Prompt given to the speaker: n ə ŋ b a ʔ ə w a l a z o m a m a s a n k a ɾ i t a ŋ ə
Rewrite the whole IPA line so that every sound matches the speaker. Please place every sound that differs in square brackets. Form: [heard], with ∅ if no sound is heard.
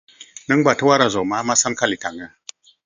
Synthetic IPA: n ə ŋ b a [t] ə w a [ɾ] a z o m a m a s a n k a [l] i t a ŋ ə